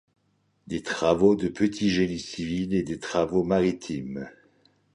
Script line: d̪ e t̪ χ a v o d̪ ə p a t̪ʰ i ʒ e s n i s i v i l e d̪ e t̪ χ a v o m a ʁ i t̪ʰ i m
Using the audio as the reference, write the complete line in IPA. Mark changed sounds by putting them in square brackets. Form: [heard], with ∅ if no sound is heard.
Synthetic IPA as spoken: d̪ e t̪ χ a v o d̪ ə p [ə] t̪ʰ i ʒ e [∅] n i s i v i l e d̪ e t̪ χ a v o m a ʁ i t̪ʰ i m